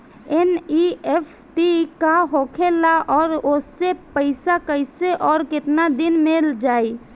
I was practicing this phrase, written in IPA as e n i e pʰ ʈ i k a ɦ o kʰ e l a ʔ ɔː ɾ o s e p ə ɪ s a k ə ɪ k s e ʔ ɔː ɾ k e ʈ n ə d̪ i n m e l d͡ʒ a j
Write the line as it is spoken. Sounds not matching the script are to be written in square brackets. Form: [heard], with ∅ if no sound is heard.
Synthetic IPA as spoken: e n i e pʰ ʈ i k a ɦ o kʰ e l a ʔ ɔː ɾ o s e p ə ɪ s a k ə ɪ [∅] s e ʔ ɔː ɾ k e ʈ n [a] d̪ i n m e l d͡ʒ a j